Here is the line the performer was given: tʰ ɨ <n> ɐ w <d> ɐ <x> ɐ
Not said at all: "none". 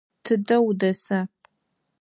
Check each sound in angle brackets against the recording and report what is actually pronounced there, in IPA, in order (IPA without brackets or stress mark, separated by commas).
d, d, s